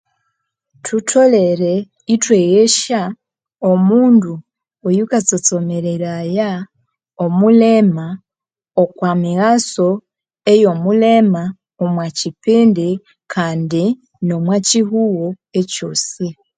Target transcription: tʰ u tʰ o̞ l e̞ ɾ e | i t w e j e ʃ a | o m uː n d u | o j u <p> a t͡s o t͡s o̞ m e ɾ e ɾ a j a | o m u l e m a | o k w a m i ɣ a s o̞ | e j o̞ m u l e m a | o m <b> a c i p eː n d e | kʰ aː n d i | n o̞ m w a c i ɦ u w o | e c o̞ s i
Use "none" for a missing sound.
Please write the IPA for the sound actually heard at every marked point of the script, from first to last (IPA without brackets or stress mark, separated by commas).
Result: k, w